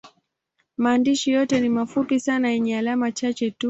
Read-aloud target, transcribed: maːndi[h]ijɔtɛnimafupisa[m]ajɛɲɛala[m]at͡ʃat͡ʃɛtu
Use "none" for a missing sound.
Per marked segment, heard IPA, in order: ʃ, n, m

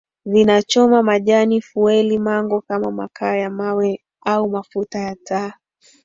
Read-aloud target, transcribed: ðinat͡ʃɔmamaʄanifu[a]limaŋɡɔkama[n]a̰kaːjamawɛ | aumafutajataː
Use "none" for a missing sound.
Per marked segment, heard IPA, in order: ɛ, m

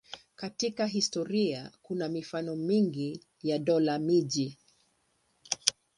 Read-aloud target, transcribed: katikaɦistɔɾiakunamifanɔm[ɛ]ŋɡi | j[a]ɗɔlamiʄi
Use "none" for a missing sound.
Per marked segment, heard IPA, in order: i, a

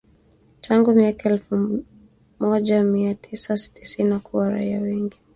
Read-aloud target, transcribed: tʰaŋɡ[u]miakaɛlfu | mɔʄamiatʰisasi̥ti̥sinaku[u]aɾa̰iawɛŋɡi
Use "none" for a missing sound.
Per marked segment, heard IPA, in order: u, w

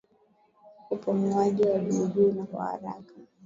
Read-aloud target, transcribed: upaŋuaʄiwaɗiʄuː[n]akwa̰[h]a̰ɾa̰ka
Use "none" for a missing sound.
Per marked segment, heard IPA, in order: n, h

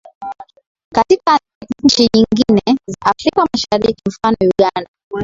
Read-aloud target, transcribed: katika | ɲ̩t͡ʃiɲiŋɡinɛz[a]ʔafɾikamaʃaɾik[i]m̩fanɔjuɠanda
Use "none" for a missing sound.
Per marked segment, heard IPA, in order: a, i

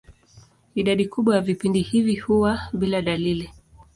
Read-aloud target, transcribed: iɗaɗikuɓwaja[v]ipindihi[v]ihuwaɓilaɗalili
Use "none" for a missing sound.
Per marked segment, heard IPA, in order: v, v

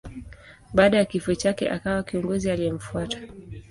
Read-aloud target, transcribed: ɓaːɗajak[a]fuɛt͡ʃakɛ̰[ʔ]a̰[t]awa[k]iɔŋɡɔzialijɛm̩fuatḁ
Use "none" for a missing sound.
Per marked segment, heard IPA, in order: i, ʔ, k, k

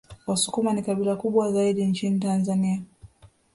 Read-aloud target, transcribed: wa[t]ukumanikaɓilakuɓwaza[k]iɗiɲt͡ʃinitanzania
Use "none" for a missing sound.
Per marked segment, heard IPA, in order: s, none

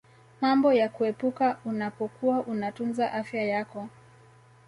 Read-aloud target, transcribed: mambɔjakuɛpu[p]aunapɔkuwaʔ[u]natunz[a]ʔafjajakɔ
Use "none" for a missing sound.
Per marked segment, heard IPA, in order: k, u, a

